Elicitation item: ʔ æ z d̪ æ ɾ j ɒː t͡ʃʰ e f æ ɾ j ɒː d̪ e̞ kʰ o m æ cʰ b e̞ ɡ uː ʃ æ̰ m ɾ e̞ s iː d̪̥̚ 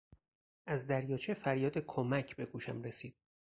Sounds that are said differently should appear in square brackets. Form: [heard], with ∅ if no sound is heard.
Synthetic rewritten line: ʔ æ z d̪ æ ɾ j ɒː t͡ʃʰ e f æ ɾ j ɒː d̪ e̞ kʰ o m æ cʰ b e̞ ɡ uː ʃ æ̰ m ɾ e̞ s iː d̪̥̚